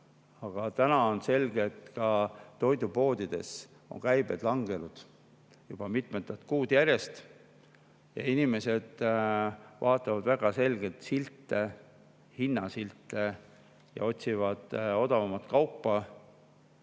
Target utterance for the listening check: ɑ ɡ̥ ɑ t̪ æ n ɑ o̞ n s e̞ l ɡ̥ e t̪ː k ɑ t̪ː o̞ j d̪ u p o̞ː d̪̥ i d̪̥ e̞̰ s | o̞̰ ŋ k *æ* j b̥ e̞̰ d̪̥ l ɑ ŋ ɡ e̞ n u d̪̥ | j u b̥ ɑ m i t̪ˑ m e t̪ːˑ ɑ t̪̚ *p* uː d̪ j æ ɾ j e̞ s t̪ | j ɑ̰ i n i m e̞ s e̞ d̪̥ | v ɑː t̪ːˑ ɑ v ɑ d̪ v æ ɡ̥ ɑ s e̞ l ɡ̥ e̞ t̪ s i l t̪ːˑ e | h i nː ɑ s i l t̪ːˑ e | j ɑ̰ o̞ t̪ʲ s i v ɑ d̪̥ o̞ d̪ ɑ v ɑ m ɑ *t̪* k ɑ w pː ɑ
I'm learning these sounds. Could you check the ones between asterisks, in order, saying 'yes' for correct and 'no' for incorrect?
yes, no, yes

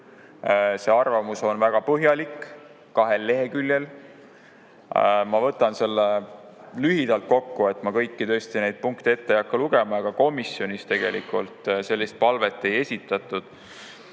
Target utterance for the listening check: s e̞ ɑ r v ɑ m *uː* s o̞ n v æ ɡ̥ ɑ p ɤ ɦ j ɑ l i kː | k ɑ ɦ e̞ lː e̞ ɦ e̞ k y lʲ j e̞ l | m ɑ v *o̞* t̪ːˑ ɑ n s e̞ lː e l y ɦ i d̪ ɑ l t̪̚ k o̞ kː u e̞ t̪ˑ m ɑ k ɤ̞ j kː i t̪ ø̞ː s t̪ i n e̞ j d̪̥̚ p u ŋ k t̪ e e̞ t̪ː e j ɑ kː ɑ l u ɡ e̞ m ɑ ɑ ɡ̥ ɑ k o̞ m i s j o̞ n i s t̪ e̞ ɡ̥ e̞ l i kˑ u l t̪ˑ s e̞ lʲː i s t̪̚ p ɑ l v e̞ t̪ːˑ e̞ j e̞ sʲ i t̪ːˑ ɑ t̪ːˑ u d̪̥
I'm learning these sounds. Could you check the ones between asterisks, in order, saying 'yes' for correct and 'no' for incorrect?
no, no

